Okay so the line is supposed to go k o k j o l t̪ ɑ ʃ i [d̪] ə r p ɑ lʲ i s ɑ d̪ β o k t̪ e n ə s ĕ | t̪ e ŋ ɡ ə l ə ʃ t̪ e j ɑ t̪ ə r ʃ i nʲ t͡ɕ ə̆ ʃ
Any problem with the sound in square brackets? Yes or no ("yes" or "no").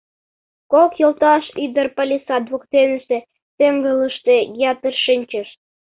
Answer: no